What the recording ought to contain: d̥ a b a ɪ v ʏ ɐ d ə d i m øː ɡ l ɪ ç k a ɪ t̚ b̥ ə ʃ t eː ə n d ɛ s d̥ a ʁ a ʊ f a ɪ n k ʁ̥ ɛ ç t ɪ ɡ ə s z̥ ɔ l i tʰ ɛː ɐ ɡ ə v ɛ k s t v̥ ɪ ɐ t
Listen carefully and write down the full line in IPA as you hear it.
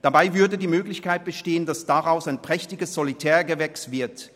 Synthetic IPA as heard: d̥ a b a ɪ v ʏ ɐ d ə d iː m øː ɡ l ɪ ç k a ɪ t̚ b̥ ə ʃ t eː ə n d a s d̥ a ʁ a ʊ s a ɪ n p ʁ̥ ɛ ç t ɪ ɡ ə s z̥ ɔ l i tʰ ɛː ɐ ɡ ə v ɛ k s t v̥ ɪ ɐ t